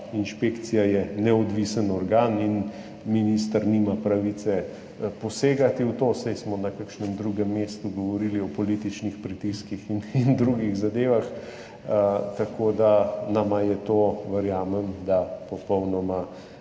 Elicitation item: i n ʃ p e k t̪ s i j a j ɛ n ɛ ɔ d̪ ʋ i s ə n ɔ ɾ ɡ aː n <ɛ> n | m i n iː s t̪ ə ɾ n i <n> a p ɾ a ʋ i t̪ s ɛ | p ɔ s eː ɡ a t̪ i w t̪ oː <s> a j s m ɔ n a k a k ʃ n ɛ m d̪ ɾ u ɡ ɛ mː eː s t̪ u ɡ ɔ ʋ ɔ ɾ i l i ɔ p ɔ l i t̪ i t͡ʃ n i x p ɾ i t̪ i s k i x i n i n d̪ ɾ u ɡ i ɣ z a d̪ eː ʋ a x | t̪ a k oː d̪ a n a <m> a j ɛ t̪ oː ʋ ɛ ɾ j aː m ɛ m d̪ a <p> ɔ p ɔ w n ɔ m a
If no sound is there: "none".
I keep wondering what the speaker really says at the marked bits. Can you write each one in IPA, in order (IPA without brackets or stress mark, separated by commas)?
i, m, s, m, p